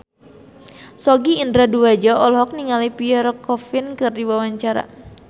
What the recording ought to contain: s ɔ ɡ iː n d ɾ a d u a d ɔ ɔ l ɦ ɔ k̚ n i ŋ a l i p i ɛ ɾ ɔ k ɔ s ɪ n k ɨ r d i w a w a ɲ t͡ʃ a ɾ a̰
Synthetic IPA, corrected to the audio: s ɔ ɡ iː n d ɾ a d u a d͡ʒ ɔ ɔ l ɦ ɔ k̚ n i ŋ a l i p i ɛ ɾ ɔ k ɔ f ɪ n k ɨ r d i w a w a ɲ t͡ʃ a ɾ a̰